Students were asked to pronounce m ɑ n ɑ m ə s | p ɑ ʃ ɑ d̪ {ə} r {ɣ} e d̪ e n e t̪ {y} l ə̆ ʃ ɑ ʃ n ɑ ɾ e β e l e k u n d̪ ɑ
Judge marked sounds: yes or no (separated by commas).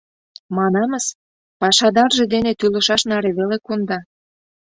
no, no, yes